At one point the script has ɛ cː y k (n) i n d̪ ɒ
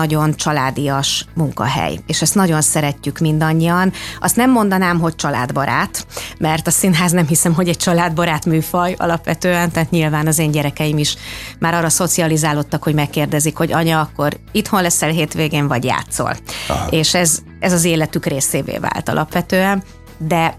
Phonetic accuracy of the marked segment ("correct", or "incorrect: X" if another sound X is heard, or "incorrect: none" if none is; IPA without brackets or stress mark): incorrect: m